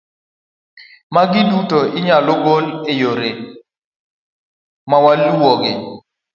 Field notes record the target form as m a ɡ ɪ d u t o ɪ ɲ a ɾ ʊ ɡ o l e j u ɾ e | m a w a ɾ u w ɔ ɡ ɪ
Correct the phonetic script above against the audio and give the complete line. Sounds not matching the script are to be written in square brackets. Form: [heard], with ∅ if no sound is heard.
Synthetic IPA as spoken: m a ɡ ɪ d u t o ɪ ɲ a [l] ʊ ɡ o l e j [o] ɾ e | m a w a [l] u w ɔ ɡ ɪ